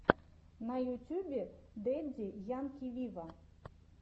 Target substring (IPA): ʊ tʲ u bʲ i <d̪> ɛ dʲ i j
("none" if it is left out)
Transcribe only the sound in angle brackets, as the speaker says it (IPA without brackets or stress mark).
d̪